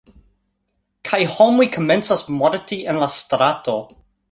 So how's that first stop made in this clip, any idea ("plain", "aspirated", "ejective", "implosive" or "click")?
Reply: aspirated